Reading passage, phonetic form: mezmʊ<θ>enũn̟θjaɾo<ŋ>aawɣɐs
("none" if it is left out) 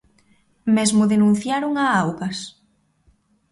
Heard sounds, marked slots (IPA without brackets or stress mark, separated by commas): ð, ŋ